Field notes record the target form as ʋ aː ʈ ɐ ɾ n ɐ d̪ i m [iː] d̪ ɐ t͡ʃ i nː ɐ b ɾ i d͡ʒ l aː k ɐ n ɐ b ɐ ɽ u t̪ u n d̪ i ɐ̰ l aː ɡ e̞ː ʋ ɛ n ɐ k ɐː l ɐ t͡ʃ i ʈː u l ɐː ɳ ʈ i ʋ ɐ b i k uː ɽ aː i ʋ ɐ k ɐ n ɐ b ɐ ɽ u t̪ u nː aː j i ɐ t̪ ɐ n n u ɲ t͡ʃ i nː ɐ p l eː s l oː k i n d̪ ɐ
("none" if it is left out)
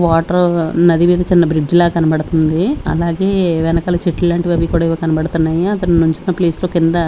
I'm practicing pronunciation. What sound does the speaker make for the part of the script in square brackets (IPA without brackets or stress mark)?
iː